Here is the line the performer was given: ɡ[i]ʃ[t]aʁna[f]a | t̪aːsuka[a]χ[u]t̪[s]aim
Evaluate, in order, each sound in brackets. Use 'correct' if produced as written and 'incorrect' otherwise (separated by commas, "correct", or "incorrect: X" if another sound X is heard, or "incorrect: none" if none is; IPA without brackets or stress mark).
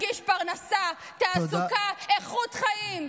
correct, incorrect: p, incorrect: s, incorrect: e, correct, incorrect: χ